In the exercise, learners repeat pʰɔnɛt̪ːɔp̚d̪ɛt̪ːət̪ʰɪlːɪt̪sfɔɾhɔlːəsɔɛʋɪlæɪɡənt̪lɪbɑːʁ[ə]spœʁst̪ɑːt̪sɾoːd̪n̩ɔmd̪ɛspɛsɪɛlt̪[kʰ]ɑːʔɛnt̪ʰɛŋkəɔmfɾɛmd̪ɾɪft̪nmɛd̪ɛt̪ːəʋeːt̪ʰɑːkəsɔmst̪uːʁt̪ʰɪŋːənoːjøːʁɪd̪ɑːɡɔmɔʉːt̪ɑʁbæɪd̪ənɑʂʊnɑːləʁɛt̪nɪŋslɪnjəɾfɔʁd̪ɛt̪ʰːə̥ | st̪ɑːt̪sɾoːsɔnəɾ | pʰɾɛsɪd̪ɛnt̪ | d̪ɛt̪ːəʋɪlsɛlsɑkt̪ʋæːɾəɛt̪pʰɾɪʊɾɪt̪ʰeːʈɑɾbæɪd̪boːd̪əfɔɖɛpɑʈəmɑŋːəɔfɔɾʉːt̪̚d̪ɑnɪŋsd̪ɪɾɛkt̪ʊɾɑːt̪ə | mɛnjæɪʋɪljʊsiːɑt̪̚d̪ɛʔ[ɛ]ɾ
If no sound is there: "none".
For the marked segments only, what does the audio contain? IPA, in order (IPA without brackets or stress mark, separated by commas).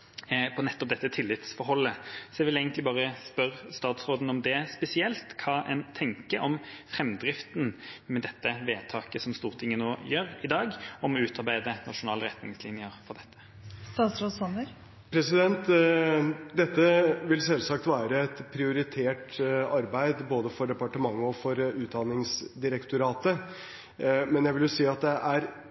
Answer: ə, kʰ, æ